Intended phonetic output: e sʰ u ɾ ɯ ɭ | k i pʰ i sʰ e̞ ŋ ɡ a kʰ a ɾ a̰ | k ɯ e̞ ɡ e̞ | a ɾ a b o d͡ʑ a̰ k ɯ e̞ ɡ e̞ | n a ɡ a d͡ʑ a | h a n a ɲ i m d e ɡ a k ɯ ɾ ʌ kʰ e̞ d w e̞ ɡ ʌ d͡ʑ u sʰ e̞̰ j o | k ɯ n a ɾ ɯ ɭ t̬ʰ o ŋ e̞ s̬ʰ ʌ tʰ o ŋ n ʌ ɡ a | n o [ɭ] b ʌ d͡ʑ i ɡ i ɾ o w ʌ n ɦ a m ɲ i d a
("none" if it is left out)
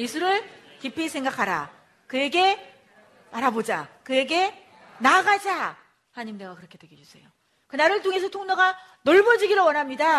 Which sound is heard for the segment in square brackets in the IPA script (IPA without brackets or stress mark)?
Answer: ɭ